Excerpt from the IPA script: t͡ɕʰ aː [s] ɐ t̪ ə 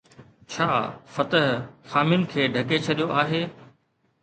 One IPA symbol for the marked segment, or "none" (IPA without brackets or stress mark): f